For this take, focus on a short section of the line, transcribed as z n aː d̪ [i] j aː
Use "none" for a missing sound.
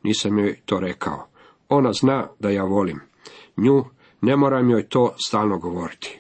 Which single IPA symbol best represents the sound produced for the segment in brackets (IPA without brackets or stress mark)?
a